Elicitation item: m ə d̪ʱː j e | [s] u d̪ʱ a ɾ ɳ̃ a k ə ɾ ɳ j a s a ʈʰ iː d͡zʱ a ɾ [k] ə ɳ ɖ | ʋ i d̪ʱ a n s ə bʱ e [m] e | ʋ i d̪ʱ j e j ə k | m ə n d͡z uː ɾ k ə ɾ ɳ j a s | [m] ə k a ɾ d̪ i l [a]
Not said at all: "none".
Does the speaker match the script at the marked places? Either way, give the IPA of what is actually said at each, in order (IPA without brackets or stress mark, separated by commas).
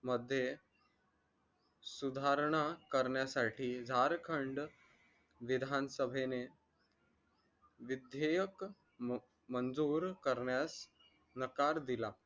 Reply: s, kʰ, n, n, a